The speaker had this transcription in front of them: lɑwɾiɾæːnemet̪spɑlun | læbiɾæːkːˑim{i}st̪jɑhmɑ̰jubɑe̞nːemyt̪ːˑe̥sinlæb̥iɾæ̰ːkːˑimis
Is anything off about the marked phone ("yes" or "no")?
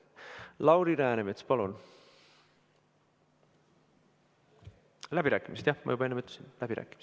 no